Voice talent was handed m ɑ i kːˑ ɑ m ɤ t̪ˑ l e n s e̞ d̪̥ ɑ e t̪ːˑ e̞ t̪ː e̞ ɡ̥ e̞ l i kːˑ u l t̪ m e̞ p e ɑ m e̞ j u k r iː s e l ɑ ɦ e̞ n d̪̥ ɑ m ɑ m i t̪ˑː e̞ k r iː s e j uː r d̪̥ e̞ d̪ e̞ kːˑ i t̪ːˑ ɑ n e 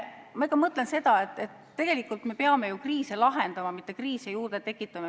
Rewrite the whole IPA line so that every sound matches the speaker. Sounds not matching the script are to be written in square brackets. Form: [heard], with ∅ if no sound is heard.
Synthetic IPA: m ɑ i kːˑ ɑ m ɤ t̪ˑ l e n s e̞ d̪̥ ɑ e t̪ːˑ e̞ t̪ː e̞ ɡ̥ e̞ l i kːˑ u l t̪ m e̞ p e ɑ m e̞ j u k r iː s e l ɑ ɦ e̞ n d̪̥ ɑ m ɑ m i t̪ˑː e̞ k r iː s e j uː r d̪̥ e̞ [t̪] e̞ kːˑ i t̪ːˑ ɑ [m] e